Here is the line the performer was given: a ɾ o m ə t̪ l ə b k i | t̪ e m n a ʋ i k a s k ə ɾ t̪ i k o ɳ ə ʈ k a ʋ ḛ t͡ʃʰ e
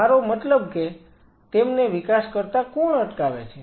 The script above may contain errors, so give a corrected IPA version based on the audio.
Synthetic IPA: a ɾ o m ə t̪ l ə b k e | t̪ e m n e ʋ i k a s k ə ɾ t̪ a k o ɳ ə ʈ k a ʋ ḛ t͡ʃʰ e